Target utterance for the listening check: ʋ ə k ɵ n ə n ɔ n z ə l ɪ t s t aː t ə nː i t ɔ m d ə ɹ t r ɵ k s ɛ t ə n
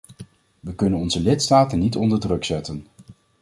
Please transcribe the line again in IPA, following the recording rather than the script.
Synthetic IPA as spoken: ʋ ə k ɵ n ə n ɔ n z ə l ɪ t s t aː t ə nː i t ɔ n d ə ɹ d r ɵ k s ɛ t ə n